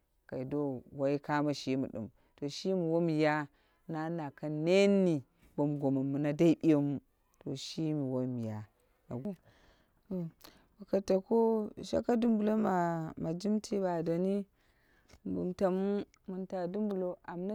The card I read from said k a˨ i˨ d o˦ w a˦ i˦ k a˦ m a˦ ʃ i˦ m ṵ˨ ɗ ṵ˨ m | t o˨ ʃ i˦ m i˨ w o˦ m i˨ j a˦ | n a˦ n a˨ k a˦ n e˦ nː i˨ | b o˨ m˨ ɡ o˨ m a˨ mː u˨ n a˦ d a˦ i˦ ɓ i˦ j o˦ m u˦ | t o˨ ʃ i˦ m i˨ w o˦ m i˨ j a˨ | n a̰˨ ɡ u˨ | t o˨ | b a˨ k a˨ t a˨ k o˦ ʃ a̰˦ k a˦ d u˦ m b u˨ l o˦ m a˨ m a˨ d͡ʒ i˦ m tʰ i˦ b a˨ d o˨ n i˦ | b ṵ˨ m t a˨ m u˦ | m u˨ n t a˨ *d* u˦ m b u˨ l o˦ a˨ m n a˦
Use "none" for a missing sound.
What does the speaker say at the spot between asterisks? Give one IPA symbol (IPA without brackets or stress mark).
d